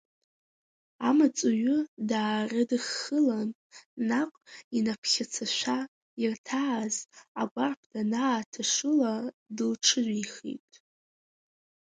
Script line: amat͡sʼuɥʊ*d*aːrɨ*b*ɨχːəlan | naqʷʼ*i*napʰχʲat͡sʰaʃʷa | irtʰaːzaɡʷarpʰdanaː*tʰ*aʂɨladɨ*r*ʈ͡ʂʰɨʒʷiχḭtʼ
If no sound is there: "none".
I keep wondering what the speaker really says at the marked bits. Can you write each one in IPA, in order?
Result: d, d, i, tʰ, l

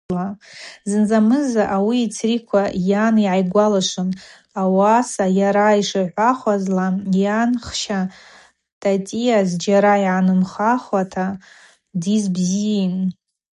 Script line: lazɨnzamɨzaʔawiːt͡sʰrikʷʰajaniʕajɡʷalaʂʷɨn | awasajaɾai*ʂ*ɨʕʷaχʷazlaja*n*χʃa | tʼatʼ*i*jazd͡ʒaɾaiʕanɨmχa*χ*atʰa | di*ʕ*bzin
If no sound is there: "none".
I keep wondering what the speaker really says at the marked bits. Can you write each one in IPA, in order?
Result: ʂ, n, i, χ, z

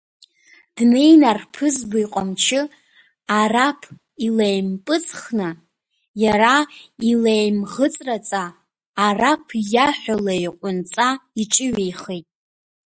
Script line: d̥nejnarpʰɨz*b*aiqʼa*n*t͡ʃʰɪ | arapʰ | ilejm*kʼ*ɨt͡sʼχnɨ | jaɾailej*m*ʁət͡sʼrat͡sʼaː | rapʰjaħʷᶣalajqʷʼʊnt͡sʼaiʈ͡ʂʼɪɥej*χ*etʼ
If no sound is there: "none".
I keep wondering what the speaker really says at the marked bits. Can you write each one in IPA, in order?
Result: b, m, pʼ, m, χ

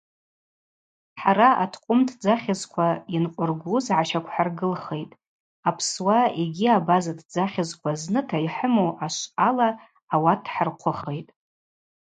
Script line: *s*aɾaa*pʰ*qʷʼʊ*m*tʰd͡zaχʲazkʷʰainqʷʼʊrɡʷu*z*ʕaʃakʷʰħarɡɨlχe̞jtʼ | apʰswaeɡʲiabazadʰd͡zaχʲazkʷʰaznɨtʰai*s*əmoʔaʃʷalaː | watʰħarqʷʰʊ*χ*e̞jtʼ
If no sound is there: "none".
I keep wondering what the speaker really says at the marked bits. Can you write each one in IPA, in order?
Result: ħ, tʰ, m, z, ħ, χ

